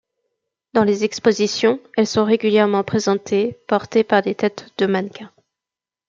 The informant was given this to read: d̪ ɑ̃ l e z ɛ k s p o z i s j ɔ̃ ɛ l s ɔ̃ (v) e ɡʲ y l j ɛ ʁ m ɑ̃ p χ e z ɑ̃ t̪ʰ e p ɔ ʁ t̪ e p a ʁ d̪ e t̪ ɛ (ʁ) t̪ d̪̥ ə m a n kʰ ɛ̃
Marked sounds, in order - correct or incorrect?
incorrect: ʁ, incorrect: none

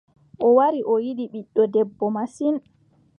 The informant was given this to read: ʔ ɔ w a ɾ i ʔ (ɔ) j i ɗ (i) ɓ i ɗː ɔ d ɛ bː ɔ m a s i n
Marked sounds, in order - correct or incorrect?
correct, correct

